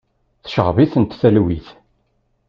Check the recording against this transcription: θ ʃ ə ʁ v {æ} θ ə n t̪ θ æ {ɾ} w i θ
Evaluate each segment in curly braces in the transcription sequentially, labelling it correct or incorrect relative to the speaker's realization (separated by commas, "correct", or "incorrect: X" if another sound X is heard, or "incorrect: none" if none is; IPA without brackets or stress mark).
incorrect: i, incorrect: l